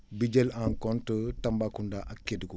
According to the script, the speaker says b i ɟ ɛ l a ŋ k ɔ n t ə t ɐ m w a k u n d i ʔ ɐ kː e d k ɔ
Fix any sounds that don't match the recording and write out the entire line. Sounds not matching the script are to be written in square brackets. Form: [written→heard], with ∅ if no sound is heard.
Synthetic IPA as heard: b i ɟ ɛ l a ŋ k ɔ n t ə t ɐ m [w→b] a k u n d [i→a] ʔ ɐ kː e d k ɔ